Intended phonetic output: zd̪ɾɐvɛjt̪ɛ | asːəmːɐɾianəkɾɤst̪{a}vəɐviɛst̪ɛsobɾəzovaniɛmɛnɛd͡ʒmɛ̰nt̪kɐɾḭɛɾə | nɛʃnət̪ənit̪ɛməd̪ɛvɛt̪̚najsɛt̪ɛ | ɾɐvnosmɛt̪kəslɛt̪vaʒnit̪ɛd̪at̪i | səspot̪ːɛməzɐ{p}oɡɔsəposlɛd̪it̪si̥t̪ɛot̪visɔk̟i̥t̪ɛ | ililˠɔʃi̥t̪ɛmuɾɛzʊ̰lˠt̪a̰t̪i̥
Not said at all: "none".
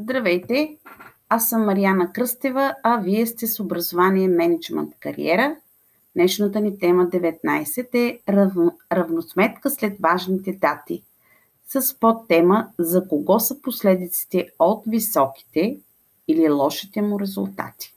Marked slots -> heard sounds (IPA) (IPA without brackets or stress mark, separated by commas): ɛ, k